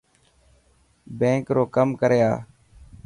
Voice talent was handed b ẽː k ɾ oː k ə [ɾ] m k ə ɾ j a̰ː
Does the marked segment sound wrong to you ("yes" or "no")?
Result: yes